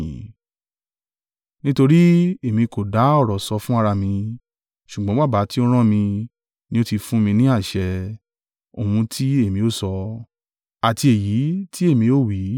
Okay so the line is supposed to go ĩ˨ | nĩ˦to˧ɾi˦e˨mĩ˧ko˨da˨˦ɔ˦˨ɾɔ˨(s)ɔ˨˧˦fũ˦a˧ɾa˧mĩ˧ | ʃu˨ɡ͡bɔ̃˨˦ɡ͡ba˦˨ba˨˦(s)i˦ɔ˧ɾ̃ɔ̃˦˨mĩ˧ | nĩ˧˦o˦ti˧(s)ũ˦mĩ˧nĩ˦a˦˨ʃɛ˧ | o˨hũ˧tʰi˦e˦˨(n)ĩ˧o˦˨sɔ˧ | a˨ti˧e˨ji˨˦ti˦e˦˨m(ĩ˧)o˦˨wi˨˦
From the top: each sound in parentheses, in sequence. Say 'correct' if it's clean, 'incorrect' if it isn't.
correct, incorrect: t, incorrect: f, incorrect: m, correct

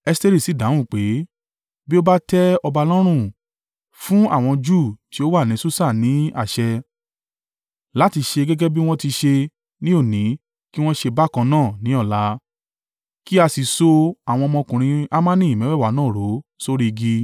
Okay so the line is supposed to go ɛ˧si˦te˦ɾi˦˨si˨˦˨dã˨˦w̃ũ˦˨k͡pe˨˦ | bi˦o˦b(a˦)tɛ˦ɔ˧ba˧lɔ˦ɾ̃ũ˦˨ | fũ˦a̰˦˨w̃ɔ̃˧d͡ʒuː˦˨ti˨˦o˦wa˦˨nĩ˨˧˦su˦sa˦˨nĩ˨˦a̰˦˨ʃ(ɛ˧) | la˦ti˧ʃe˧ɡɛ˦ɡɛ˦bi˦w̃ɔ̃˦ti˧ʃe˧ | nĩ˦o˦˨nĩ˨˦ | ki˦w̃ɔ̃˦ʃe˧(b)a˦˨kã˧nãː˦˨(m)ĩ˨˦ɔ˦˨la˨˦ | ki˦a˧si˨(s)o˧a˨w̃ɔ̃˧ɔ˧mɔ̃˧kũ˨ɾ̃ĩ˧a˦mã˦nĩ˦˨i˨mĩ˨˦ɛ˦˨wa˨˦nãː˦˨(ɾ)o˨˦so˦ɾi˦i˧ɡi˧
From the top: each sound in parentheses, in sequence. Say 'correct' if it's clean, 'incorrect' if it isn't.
correct, correct, correct, incorrect: n, correct, correct

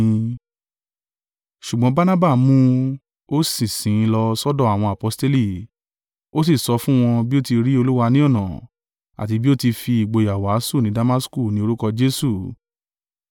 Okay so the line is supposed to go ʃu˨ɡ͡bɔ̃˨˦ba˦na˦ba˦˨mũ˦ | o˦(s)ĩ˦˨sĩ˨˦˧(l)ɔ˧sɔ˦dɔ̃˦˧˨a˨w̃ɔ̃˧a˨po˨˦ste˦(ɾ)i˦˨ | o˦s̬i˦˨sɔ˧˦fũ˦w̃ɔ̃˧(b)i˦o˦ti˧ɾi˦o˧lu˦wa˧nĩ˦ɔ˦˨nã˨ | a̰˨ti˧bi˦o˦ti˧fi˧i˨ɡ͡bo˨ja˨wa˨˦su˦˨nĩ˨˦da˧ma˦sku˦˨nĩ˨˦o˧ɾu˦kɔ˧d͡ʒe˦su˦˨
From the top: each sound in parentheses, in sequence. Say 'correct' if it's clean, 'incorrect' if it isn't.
correct, correct, incorrect: l, correct

